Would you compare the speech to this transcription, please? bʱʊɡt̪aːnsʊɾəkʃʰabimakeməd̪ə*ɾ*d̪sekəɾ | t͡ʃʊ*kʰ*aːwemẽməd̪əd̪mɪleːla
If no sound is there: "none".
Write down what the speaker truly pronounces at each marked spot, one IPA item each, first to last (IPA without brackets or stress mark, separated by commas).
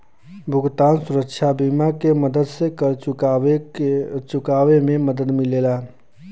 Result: none, k